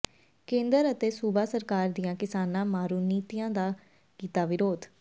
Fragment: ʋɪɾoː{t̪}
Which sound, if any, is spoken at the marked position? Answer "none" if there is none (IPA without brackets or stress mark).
d̪